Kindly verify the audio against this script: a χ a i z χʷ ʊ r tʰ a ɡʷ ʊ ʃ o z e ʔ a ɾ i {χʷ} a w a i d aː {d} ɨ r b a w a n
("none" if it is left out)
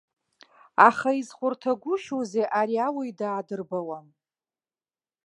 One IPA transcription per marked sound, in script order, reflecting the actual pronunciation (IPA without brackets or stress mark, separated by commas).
none, d